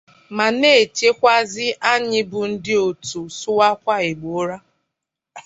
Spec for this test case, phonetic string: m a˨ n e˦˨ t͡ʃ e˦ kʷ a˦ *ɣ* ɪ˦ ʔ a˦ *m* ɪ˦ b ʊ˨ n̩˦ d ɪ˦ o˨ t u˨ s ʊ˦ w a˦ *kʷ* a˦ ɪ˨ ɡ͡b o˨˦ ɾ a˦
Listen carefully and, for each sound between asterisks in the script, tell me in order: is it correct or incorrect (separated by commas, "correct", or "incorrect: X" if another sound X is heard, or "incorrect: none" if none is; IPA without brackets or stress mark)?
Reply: incorrect: z, incorrect: ɲ, correct